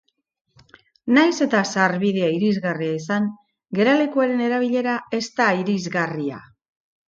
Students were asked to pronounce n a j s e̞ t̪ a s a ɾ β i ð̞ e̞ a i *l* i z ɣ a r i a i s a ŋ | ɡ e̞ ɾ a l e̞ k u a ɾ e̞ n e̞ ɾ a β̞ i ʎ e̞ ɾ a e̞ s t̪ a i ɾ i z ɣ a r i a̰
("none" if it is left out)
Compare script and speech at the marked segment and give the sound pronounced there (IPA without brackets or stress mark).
ɾ